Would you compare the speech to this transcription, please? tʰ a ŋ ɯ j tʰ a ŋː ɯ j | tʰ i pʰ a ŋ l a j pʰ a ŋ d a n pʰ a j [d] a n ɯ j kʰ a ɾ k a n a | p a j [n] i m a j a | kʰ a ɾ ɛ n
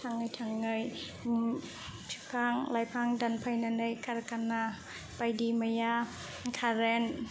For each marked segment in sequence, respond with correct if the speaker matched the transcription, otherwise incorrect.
incorrect, incorrect

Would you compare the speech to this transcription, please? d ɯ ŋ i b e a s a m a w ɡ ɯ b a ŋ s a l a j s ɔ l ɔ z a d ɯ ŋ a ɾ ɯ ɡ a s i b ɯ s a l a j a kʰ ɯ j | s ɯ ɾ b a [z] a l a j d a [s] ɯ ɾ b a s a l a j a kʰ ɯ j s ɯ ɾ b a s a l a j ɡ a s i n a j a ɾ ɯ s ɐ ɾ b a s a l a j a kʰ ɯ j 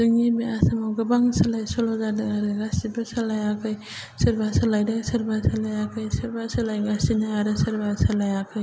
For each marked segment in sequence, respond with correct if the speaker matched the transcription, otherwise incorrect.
incorrect, correct

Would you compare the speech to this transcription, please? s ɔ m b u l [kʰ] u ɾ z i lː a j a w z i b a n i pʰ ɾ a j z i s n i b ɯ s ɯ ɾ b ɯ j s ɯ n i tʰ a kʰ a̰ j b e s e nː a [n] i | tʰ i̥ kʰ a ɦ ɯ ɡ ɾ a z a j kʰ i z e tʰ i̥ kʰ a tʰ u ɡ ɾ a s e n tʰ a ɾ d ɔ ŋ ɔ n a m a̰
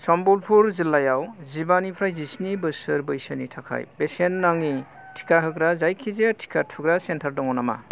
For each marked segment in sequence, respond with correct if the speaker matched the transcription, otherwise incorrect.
incorrect, incorrect

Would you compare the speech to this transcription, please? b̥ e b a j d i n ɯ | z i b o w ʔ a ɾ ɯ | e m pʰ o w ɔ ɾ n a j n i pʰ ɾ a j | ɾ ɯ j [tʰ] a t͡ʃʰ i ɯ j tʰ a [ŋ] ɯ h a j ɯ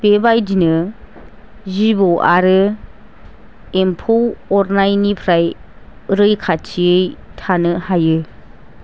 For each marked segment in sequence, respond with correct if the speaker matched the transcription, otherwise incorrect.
incorrect, incorrect

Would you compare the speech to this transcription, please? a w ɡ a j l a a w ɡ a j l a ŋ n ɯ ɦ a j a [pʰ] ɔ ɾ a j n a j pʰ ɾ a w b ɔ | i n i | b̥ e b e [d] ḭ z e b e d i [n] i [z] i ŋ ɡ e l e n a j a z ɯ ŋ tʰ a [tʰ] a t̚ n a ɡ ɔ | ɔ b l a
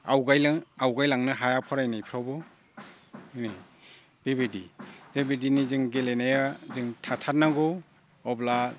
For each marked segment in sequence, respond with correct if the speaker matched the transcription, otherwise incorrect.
correct, correct, correct, correct, correct

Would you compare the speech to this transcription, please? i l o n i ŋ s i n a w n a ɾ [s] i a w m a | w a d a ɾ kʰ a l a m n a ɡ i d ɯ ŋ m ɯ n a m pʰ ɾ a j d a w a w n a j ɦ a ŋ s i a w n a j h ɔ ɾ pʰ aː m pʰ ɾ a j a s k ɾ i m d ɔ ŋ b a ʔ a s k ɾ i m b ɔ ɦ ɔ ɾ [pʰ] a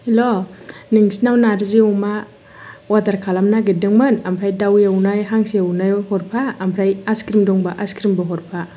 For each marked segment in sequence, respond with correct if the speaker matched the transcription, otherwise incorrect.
incorrect, correct

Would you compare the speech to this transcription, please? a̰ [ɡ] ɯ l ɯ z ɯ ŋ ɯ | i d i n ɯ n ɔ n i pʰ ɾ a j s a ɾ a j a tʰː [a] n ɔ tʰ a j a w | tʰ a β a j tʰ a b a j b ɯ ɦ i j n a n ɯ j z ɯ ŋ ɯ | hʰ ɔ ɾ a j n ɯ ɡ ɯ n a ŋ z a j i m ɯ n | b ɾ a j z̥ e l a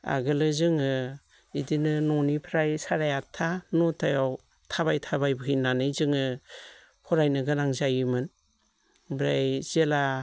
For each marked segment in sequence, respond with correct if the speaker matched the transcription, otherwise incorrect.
correct, correct

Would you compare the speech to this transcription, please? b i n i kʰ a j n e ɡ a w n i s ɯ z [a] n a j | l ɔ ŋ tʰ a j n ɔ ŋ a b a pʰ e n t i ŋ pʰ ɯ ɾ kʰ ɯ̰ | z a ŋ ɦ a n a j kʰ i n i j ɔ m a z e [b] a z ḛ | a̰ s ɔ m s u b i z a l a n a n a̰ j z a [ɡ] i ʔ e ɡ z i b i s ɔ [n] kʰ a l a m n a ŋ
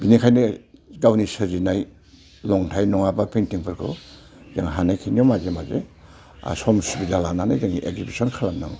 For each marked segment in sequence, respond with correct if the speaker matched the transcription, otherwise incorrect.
incorrect, incorrect, incorrect, correct

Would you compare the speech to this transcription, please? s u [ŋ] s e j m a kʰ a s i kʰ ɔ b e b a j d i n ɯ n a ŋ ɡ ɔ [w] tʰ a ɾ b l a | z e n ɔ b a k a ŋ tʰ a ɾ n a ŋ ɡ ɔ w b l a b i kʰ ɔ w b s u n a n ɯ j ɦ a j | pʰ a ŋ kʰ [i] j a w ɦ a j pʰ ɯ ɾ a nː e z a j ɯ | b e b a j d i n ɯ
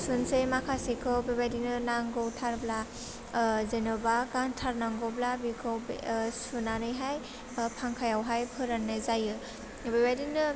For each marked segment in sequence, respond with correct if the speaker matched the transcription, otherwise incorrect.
incorrect, correct, incorrect

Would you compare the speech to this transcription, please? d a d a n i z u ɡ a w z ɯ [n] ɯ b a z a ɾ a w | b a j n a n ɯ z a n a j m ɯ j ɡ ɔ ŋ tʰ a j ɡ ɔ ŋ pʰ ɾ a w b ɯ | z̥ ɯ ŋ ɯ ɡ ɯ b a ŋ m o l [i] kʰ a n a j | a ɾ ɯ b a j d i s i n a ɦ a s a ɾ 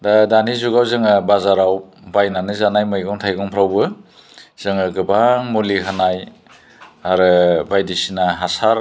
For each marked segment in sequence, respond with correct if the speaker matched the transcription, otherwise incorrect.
incorrect, correct

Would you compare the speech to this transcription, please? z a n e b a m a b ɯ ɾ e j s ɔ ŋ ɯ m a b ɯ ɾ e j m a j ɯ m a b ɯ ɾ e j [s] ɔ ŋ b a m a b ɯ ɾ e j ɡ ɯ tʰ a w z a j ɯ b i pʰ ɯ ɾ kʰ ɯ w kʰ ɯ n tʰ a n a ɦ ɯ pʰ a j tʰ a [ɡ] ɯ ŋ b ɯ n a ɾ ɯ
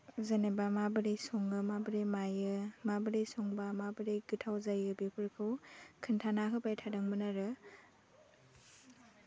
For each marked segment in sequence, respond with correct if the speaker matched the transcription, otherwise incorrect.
correct, incorrect

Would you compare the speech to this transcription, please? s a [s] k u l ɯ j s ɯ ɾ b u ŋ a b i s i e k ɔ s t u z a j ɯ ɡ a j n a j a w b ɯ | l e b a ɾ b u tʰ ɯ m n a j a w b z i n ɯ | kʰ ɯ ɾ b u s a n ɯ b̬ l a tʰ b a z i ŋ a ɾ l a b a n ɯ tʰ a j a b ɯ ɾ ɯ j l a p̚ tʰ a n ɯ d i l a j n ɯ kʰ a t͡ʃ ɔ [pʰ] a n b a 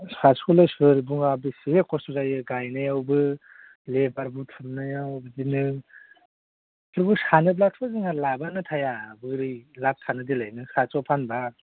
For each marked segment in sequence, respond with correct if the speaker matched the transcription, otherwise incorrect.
correct, correct

